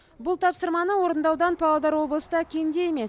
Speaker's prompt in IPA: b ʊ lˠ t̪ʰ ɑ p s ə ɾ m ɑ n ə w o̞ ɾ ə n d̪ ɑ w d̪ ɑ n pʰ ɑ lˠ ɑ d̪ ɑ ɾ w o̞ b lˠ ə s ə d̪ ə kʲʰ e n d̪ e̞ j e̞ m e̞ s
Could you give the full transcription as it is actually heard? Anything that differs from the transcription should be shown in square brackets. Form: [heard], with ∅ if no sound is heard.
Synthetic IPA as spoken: b ʊ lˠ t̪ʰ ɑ p s ə ɾ m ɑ n ə w o̞ ɾ ə n d̪ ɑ w d̪ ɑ n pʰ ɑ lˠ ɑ d̪ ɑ ɾ w o̞ b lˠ ə s ə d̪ [ɑ] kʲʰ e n d̪ e̞ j e̞ m e̞ s